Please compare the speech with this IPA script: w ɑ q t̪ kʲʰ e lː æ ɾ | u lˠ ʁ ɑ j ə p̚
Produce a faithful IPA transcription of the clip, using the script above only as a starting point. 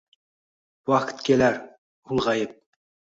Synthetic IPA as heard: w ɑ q t̪ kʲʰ e l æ ɾ | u lˠ ʁ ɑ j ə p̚